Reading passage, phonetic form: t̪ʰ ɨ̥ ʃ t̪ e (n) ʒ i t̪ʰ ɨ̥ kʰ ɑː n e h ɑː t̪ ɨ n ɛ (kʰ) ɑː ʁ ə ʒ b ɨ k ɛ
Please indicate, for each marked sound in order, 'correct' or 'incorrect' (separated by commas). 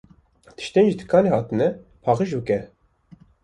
correct, incorrect